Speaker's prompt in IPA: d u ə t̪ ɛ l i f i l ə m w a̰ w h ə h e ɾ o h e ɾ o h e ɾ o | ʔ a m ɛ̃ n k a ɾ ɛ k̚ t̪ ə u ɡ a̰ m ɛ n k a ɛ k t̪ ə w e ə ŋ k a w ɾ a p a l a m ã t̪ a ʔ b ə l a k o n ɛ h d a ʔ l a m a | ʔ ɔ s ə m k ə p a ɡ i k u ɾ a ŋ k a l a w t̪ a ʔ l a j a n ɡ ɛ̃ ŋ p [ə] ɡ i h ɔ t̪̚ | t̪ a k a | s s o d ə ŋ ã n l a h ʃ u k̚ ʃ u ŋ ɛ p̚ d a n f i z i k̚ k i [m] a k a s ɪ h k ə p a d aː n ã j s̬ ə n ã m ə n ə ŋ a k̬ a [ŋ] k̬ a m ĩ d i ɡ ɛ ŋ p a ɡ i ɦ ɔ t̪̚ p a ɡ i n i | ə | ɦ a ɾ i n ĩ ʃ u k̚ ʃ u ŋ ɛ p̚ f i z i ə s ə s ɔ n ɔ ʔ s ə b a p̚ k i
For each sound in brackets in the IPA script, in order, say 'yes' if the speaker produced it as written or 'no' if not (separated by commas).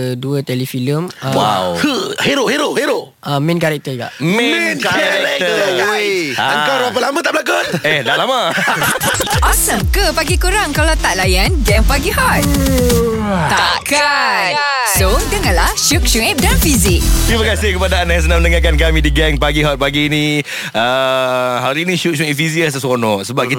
no, yes, no